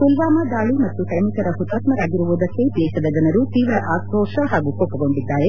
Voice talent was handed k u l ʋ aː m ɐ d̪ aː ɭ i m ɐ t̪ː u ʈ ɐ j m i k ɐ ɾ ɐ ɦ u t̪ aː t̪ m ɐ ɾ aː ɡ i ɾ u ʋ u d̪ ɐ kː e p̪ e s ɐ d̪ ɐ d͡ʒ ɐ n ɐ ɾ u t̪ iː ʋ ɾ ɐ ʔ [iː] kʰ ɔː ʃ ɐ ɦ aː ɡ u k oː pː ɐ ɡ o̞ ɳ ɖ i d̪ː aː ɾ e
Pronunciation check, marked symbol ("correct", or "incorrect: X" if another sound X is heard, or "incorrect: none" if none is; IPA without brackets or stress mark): incorrect: aː